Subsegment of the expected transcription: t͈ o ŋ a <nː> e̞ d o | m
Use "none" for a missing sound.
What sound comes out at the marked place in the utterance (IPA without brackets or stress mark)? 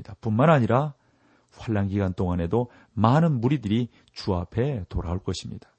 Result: n